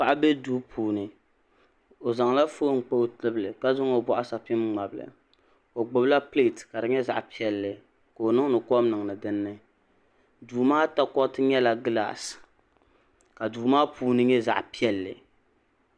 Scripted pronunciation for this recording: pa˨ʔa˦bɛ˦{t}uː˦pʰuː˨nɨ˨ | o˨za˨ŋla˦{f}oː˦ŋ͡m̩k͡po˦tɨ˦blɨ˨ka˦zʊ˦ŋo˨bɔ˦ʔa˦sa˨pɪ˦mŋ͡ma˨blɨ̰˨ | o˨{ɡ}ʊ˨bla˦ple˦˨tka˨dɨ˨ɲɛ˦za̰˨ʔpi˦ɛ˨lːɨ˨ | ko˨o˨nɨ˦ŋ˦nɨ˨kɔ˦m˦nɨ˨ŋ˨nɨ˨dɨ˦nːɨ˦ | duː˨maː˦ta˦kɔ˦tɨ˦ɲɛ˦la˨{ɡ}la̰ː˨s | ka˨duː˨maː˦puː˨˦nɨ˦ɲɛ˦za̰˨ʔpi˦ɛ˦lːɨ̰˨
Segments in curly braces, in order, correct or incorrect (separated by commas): incorrect, correct, incorrect, correct